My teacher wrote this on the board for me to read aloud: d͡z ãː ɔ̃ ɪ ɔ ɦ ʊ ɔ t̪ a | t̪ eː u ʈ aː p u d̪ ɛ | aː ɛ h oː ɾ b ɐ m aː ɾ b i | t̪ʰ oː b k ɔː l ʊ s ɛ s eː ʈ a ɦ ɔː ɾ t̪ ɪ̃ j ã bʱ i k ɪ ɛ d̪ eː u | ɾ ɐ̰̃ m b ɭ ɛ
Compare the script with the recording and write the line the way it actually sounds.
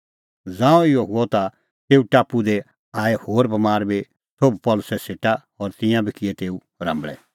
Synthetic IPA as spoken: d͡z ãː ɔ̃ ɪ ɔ ɦ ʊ ɔ t̪ a | t̪ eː u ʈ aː p u d̪ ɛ | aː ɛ h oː ɾ b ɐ m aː ɾ b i | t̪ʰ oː b p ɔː l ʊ s ɛ s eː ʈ a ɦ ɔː ɾ t̪ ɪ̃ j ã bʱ i k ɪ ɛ t̪ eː u | ɾ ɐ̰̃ m b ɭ ɛ

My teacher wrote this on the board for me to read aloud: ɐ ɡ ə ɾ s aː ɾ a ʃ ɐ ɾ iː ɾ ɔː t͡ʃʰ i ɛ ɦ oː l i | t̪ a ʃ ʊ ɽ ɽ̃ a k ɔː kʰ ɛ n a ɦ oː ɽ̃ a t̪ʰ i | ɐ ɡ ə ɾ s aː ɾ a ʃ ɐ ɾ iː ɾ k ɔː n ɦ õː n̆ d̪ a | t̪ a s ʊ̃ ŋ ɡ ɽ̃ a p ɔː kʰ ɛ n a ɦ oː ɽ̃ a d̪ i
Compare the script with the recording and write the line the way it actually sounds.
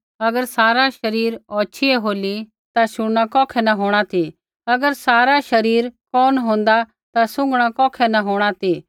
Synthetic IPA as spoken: ɐ ɡ ə ɾ s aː ɾ a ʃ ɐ ɾ iː ɾ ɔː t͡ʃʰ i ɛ ɦ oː l i | t̪ a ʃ ʊ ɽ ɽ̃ a k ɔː kʰ ɛ n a ɦ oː ɽ̃ a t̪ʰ i | ɐ ɡ ə ɾ s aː ɾ a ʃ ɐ ɾ iː ɾ k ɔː n ɦ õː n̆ d̪ a | t̪ a s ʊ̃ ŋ ɡ ɽ̃ a k ɔː kʰ ɛ n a ɦ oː ɽ̃ a t̪ i

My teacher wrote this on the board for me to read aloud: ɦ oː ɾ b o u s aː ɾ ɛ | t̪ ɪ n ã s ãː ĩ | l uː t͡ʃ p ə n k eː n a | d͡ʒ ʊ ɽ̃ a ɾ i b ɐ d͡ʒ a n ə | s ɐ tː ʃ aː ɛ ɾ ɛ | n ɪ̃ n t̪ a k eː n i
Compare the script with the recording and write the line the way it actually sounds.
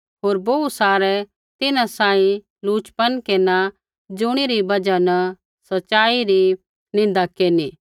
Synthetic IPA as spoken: ɦ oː ɾ b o u s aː ɾ ɛ | t̪ ɪ n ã s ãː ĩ | l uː t͡ʃ p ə n k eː n a | d͡ʒ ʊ ɽ̃ i ɾ i b ɐ d͡ʒ a n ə | s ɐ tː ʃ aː i ɾ i | n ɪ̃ n d̪ a k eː n i

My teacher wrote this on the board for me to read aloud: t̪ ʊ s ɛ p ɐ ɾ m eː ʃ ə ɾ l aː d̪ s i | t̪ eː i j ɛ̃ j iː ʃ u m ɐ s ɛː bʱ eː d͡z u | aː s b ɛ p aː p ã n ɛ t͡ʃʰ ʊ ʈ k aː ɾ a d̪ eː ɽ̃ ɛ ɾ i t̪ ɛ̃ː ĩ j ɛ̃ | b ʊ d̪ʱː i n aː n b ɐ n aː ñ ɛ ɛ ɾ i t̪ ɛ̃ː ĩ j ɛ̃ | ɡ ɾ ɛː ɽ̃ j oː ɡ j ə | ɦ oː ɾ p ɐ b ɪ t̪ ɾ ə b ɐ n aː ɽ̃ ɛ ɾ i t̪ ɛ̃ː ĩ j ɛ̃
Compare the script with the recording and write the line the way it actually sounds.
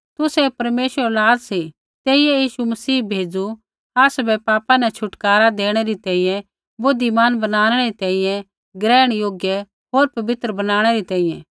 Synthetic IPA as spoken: t̪ ʊ s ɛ p ɐ ɾ m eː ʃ ə ɾ l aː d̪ s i | t̪ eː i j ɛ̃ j iː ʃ u m ɐ s iː bʱ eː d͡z u | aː s b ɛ p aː p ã n ɛ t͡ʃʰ ʊ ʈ k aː ɾ a d̪ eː ɽ̃ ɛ ɾ i t̪ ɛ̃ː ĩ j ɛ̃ | b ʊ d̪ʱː i m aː n b ɐ n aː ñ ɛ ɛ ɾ i t̪ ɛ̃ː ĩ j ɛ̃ | ɡ ɾ ɛː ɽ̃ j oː ɡ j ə | ɦ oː ɾ p ɐ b ɪ t̪ ɾ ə b ɐ n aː ɽ̃ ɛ ɾ i t̪ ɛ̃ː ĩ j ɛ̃

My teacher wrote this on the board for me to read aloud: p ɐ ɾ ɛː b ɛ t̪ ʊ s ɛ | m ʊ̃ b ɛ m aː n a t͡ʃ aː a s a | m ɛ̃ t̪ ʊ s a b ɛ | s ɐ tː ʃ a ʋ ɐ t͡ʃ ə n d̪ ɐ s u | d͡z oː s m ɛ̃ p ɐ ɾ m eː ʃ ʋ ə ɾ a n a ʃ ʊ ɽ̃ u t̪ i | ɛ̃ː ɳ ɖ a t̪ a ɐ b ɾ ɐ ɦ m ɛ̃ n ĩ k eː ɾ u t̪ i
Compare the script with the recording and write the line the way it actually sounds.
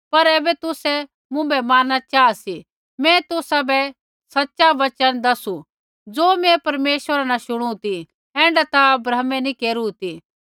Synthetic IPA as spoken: p ɐ ɾ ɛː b ɛ t̪ ʊ s ɛ | m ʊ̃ b ɛ m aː n a t͡ʃ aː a s i | m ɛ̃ t̪ ʊ s a b ɛ | s ɐ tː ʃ a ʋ ɐ t͡ʃ ə n d̪ ɐ s u | d͡z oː m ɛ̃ p ɐ ɾ m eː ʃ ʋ ə ɾ a n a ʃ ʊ ɽ̃ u t̪ i | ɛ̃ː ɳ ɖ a t̪ a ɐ b ɾ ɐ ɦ m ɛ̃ n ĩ k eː ɾ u t̪ i

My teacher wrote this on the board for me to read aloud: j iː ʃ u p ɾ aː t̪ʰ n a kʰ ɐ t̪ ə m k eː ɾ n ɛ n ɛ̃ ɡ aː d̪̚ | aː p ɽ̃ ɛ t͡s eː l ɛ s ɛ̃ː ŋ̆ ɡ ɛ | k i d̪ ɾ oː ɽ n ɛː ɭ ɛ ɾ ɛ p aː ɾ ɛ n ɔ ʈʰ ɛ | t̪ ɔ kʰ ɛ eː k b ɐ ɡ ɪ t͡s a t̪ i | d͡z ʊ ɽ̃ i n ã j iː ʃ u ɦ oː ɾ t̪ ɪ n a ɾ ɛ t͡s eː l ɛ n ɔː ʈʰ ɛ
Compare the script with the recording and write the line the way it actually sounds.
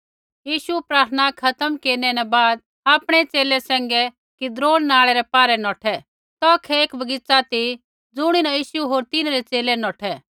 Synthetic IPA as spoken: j iː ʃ u p ɾ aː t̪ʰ n a kʰ ɐ t̪ ə m k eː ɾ n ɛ n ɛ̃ b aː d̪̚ | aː p ɽ̃ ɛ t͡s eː l ɛ s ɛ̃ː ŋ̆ ɡ ɛ | k i d̪ ɾ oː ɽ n aː ɭ ɛ ɾ ɛ p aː ɾ ɛ n ɔː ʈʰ ɛ | t̪ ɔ kʰ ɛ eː k b ɐ ɡ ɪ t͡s a t̪ i | d͡z ʊ ɽ̃ i n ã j iː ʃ u ɦ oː ɾ t̪ ɪ n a ɾ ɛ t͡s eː l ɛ n ɔː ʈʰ ɛ

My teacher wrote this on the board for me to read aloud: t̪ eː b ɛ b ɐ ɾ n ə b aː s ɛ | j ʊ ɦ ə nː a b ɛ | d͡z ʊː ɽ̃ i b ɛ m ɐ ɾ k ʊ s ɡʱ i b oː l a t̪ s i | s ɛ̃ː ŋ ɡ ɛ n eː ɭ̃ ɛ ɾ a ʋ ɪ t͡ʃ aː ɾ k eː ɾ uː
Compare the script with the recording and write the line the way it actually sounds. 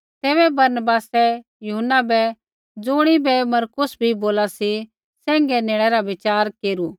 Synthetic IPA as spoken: t̪ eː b ɛ b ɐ ɾ n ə b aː s ɛ | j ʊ ɦ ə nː a b ɛ | d͡z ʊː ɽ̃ i b ɛ m ɐ ɾ k ʊ s bʱ i b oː l a s i | s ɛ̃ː ŋ ɡ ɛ n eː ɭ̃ ɛ ɾ a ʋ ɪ t͡ʃ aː ɾ k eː ɾ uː

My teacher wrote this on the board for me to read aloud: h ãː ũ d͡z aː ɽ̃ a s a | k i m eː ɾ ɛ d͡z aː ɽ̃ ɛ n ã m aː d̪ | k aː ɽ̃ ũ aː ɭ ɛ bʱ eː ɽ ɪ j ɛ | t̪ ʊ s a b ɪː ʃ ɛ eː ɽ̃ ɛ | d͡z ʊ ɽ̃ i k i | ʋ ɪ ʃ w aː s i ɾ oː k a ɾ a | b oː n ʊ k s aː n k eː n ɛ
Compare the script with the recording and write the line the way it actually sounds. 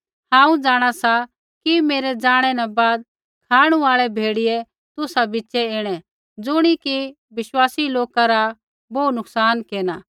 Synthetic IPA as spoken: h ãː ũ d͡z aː ɽ̃ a s a | k i m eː ɾ ɛ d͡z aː ɽ̃ ɛ n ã b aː d̪ | kʰ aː ɽ̃ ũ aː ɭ ɛ bʱ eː ɽ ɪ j ɛ | t̪ ʊ s a b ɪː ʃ ɛ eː ɽ̃ ɛ | d͡z ʊ ɽ̃ i k i | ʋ ɪ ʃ w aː s i l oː k a ɾ a | b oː n ʊ k s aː n k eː n a

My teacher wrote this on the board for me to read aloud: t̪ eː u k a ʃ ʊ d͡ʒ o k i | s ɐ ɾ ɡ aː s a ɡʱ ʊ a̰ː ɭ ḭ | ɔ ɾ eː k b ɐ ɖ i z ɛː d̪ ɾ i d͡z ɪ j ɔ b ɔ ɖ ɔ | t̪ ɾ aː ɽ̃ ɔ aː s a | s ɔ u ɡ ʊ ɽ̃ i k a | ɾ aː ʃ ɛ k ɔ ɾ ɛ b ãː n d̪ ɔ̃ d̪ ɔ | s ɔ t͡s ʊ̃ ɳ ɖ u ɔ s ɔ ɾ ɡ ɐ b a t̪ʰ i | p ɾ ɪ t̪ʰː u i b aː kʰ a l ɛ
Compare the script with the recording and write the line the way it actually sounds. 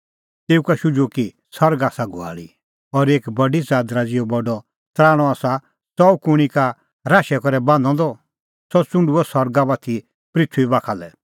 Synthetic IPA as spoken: t̪ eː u k a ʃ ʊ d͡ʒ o k i | s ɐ ɾ ɡ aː s a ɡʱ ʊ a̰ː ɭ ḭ | ɔ ɾ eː k b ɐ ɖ i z aː d̪ ɾ a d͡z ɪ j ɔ b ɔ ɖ ɔ | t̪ ɾ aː ɽ̃ ɔ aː s a | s ɔ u k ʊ ɽ̃ i k a | ɾ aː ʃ ɛ k ɔ ɾ ɛ b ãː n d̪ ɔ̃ d̪ ɔ | s ɔ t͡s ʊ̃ ɳ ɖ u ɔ s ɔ ɾ ɡ a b a t̪ʰ i | p ɾ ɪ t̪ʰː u i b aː kʰ a l ɛ

